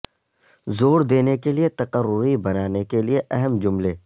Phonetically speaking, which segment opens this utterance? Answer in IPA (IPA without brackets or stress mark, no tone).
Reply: z